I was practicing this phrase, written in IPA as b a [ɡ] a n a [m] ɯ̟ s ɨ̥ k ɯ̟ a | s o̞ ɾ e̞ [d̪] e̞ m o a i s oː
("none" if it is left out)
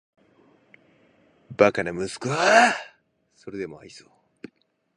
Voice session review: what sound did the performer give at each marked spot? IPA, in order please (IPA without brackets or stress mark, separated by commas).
k, m, d̪